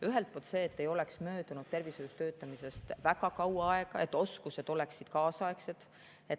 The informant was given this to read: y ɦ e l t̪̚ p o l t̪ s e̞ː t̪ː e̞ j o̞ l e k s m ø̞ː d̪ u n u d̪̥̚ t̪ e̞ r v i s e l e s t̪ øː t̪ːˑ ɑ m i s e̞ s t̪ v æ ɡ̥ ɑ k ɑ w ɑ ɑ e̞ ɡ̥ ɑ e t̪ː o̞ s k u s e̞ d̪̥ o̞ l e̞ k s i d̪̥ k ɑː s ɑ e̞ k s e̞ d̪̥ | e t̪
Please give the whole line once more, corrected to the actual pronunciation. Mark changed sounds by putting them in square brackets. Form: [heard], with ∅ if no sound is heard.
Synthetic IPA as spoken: y ɦ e l t̪̚ p o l t̪ s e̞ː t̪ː e̞ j o̞ l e k s m ø̞ː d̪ u n u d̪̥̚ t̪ e̞ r v i s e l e s t̪ øː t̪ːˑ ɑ m i s e̞ s t̪ v æ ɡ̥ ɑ k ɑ w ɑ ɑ e̞ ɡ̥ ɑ e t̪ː o̞ s k u s e̞ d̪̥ o̞ l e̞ k s i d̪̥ k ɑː s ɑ e̞ k s e̞ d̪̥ | e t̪

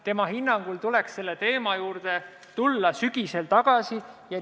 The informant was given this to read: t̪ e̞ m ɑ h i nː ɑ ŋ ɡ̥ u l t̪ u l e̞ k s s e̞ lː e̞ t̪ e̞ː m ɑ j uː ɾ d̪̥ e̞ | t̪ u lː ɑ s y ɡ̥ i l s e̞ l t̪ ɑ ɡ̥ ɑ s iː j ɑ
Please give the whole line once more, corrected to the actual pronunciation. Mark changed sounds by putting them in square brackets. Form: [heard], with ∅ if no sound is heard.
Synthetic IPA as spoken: t̪ e̞ m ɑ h i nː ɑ ŋ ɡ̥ u l t̪ u l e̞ k s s e̞ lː e̞ t̪ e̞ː m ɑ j uː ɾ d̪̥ e̞ | t̪ u lː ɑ s y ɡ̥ i [∅] s e̞ l t̪ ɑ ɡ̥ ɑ s [i] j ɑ

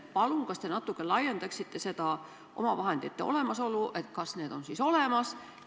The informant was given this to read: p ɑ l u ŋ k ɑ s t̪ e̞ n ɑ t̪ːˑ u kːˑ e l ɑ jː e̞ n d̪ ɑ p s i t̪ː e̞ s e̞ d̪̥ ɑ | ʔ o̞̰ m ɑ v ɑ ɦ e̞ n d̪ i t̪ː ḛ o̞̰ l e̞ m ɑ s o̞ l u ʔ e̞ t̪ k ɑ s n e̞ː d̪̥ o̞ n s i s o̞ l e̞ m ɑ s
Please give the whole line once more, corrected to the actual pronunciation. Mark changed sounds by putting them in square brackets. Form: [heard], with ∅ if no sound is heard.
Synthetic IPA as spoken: p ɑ l u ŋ k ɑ s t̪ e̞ n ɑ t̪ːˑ u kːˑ e l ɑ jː e̞ n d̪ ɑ [k] s i t̪ː e̞ s e̞ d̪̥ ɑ | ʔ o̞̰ m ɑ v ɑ ɦ e̞ n d̪ i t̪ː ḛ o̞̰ l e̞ m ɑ s o̞ l u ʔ e̞ t̪ k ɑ s n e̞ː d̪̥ o̞ n s i s o̞ l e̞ m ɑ s

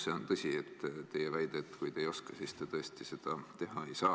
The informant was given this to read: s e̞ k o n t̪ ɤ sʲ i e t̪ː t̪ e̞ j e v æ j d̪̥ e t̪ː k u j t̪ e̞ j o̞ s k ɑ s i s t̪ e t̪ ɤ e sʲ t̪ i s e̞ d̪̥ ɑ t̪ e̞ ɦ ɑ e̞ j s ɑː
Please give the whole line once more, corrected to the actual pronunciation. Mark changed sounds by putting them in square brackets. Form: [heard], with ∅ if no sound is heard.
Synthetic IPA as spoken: s e̞ [∅] o n t̪ ɤ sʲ i e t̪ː t̪ e̞ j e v æ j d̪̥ e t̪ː k u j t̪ e̞ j o̞ s k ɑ s i s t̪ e t̪ ɤ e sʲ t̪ i s e̞ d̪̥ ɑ t̪ e̞ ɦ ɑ e̞ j s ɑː

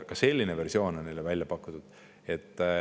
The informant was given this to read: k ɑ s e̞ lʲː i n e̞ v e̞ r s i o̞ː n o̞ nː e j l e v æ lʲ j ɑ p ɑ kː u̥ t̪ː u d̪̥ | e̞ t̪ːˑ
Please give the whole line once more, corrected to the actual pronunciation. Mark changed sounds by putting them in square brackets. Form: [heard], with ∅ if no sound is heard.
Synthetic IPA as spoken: k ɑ s e̞ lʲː i n e̞ v e̞ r s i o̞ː n o̞ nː e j l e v æ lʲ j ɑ p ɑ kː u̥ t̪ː u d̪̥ | e̞ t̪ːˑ

